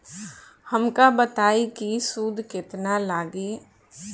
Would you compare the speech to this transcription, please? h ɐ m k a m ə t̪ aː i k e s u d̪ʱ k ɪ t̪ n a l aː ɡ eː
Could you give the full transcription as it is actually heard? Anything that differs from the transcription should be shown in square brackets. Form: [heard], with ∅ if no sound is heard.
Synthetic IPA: h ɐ m k a [b] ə t̪ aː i k [i] s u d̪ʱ k ɪ t̪ n a l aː ɡ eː